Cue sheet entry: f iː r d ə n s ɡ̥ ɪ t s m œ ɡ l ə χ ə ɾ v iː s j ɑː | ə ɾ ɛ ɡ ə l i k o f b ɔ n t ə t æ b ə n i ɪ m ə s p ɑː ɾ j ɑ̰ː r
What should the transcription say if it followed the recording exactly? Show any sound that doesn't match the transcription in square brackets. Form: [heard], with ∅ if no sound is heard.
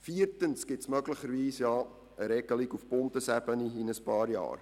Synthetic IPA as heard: f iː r [t] ə n s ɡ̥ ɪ t s m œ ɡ l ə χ ə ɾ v iː s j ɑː | ə ɾ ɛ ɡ ə l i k [u] f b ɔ n t ə [s] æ b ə n i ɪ [n] ə s p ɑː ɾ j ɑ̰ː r